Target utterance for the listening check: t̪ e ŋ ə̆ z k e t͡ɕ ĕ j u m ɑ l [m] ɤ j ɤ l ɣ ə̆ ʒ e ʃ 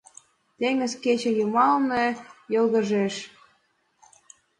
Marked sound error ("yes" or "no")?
yes